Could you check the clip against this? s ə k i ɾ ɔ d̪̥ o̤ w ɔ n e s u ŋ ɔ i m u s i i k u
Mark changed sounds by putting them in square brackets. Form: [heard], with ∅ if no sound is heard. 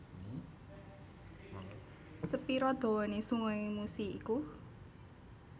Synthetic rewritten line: s ə [p] i ɾ ɔ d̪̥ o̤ w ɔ n e s u ŋ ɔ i m u s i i k u